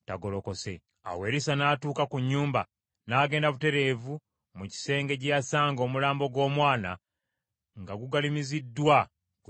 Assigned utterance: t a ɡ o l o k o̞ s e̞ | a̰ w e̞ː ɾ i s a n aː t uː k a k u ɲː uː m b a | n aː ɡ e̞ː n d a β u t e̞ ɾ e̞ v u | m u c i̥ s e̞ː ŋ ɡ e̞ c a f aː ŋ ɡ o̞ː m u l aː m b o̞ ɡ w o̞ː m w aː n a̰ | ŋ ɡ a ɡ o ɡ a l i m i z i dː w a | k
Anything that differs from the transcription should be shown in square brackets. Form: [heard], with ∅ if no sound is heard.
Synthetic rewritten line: t a ɡ o l o k o̞ s e̞ | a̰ w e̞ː ɾ i s a n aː t uː k a k u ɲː uː m b a | n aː ɡ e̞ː n d a β u t e̞ ɾ e̞ v u | m u c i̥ s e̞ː ŋ ɡ e̞ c a [s] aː ŋ ɡ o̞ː m u l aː m b o̞ ɡ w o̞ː m w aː n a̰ | ŋ ɡ a ɡ [u] ɡ a l i m i z i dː w a | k